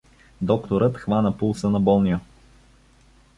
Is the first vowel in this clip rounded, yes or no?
yes